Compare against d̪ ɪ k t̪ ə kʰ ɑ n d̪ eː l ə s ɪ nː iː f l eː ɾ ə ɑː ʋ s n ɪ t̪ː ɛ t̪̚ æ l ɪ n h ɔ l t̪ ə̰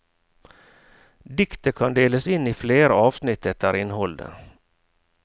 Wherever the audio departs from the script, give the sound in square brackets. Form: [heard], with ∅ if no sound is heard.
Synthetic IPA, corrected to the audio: d̪ ɪ k t̪ ə kʰ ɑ n d̪ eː l ə s ɪ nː iː f l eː ɾ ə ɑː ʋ s n ɪ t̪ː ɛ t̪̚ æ [ɾ] ɪ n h ɔ l [d̪] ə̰